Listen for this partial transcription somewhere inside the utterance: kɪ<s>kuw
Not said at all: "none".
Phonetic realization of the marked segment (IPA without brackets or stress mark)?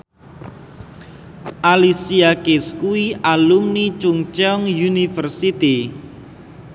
s